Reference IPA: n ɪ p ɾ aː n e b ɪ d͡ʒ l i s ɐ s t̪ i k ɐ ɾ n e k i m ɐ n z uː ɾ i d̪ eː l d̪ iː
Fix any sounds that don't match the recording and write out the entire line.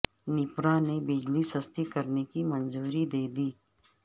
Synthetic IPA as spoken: n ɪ p ɾ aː n e b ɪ d͡ʒ l i s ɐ s t̪ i k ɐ ɾ n e k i m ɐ n z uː ɾ i d̪ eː d̪ iː